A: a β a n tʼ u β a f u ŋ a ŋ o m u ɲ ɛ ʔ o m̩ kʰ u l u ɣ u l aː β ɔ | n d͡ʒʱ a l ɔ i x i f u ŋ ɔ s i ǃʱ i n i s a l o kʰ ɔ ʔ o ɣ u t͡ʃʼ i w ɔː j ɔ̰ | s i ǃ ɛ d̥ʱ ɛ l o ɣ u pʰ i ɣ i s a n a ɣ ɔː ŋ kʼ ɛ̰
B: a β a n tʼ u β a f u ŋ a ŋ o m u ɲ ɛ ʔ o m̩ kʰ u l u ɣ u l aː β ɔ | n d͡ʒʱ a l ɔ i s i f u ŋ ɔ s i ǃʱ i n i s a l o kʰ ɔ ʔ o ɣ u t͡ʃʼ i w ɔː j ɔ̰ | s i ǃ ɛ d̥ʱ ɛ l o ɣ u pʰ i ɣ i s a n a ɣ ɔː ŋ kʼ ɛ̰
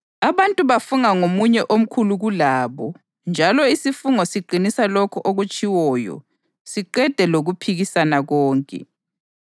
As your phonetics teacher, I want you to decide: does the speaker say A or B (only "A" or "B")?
B